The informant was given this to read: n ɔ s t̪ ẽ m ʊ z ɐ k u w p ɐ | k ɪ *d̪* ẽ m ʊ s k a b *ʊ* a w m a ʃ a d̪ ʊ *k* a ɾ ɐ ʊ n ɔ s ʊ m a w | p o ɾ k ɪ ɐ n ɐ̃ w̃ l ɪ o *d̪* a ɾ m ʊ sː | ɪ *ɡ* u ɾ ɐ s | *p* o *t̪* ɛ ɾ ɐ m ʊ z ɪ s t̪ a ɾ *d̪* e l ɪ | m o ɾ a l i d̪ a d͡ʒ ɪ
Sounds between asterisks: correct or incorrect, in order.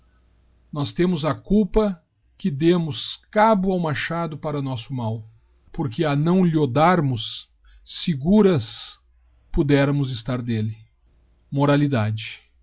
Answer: correct, correct, incorrect, correct, correct, correct, incorrect, correct

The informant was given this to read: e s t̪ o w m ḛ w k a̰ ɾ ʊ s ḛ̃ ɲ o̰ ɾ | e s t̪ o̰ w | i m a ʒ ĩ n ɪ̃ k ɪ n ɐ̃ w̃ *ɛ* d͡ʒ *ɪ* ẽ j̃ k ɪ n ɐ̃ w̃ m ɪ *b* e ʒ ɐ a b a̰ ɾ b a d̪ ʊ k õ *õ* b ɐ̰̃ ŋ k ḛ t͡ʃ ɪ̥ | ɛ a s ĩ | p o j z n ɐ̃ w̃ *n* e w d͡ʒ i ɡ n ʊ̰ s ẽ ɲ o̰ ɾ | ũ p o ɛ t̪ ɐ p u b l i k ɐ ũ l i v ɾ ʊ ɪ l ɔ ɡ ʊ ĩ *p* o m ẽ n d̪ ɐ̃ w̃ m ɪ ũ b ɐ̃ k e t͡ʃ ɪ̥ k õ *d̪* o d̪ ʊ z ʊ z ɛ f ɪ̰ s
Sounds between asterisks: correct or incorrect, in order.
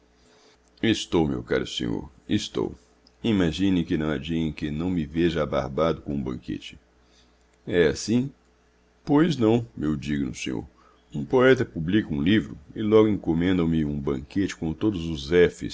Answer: incorrect, incorrect, incorrect, incorrect, incorrect, incorrect, incorrect

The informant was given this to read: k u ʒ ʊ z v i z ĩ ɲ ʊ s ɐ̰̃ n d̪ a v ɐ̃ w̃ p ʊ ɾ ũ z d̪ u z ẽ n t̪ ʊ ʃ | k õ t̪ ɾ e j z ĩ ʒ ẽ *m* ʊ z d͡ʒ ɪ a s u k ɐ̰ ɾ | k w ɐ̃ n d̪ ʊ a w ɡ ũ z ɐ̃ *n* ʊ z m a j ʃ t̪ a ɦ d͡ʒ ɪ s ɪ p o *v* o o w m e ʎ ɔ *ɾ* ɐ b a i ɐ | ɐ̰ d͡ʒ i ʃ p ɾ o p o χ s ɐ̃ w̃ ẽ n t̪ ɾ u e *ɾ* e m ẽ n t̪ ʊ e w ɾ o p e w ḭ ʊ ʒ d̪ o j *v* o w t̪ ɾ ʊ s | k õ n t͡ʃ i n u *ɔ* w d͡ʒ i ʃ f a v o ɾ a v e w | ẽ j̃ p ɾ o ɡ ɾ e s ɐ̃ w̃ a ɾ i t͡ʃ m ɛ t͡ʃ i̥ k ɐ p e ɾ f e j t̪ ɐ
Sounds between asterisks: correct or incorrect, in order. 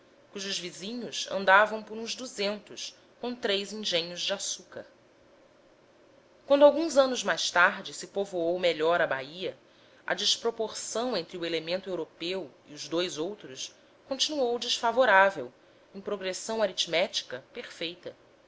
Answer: incorrect, correct, correct, correct, incorrect, incorrect, incorrect

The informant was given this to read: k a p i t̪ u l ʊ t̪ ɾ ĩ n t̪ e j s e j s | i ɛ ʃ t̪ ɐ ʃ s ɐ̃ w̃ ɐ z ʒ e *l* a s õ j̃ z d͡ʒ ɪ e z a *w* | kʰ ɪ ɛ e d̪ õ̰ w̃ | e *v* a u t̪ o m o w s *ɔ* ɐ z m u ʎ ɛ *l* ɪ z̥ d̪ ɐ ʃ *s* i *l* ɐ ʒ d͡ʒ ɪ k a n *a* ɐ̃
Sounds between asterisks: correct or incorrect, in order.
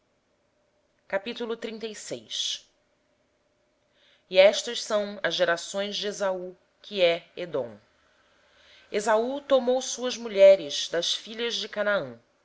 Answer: incorrect, incorrect, incorrect, incorrect, incorrect, incorrect, incorrect, correct

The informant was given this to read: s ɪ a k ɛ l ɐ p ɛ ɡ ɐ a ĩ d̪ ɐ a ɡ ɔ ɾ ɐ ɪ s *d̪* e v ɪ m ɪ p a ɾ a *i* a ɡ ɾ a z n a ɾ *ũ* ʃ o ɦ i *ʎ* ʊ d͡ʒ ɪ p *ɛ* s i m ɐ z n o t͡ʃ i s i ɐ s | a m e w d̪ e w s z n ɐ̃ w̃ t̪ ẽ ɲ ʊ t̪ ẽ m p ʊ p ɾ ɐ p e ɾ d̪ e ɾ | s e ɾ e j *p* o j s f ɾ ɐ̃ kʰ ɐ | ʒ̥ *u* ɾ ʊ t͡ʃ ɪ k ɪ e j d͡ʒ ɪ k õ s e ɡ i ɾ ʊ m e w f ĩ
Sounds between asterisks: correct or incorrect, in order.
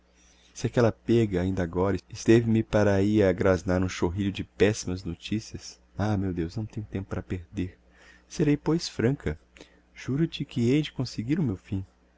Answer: incorrect, correct, correct, correct, correct, correct, correct

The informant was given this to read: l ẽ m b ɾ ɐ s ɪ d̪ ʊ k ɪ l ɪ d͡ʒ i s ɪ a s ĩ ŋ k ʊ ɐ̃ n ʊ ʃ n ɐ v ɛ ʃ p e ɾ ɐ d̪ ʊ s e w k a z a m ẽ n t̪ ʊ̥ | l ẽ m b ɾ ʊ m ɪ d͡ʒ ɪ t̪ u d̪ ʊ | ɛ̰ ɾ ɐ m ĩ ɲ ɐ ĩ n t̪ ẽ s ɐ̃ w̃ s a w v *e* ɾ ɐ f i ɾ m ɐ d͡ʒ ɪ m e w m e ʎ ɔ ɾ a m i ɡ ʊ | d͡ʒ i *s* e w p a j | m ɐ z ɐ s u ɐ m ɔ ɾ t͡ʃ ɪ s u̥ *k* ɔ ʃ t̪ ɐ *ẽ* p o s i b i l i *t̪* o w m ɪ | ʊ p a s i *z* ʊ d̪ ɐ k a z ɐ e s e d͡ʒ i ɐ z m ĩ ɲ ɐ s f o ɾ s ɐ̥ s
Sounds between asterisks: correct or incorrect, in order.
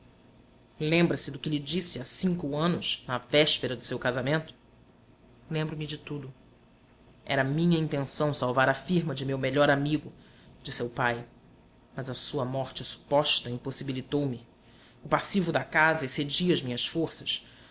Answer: incorrect, correct, incorrect, incorrect, correct, incorrect

